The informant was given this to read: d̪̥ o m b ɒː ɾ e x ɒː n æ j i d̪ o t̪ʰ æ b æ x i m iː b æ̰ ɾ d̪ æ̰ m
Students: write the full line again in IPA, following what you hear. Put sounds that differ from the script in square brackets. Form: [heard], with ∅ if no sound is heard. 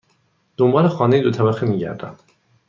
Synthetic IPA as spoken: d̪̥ o m b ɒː [l] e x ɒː n [e] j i d̪ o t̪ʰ æ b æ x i m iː [ɟ] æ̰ ɾ d̪ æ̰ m